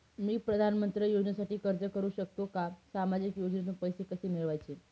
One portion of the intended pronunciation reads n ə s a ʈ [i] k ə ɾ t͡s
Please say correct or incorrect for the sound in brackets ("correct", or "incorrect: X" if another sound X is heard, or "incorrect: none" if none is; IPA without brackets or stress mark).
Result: incorrect: iː